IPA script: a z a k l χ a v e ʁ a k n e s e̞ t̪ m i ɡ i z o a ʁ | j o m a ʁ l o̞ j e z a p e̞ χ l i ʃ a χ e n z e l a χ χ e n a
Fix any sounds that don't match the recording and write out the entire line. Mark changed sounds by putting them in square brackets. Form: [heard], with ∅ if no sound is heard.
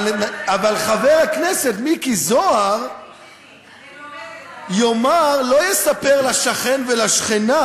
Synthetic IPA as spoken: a [v] a [∅] l χ a v e ʁ a k n e s e̞ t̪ m i [k] i z o a ʁ | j o m a ʁ l o̞ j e [s] a p e̞ [ʁ] l [a] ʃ a χ e n [v] e l a [ʃ] χ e n a